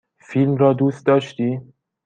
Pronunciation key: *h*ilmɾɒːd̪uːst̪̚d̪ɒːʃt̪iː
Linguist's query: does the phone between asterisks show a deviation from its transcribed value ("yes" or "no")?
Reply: yes